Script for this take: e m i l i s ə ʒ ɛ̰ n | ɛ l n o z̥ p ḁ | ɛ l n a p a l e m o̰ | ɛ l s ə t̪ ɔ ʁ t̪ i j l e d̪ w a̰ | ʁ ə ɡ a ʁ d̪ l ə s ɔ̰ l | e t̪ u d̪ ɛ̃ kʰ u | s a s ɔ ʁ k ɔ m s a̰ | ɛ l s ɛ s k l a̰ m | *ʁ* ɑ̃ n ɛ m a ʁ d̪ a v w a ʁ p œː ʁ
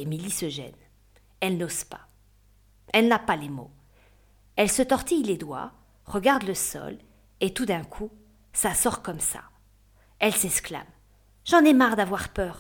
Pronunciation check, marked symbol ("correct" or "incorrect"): incorrect